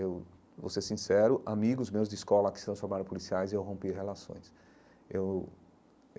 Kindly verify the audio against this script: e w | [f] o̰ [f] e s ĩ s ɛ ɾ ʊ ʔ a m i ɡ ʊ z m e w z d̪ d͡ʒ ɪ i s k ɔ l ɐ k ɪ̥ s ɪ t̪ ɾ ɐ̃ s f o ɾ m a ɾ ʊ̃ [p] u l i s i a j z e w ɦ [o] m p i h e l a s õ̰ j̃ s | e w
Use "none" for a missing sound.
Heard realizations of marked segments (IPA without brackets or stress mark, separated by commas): v, s, p, õ